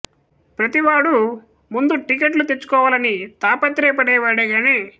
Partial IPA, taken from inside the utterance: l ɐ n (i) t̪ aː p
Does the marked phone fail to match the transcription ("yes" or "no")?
no